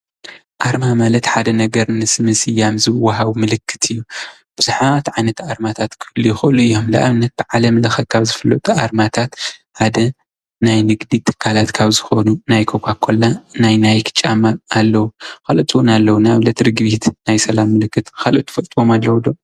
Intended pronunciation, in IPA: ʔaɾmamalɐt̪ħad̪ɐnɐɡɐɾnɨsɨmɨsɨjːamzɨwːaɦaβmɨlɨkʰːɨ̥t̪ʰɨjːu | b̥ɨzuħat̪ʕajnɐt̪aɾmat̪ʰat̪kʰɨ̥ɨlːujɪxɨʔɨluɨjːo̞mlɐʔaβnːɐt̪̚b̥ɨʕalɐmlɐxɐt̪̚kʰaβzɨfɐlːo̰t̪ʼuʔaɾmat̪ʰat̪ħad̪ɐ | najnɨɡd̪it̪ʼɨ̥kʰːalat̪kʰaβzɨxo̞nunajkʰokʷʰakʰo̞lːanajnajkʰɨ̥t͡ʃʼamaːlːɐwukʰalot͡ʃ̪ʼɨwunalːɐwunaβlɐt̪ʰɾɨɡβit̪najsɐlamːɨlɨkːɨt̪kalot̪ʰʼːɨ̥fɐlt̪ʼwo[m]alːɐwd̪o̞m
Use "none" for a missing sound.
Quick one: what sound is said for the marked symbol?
m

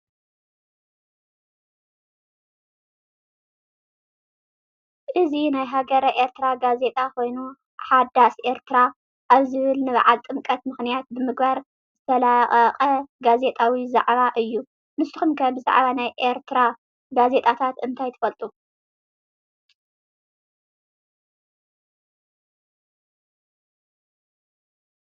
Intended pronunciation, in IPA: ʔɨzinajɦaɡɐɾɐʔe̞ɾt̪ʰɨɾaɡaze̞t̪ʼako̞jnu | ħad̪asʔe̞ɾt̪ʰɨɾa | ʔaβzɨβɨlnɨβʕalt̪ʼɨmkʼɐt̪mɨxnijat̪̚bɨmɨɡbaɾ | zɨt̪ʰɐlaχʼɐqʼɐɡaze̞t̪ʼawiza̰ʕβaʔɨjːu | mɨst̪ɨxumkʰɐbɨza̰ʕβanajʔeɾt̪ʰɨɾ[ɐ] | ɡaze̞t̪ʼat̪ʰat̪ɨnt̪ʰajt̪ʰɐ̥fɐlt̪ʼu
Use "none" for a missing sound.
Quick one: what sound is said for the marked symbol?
a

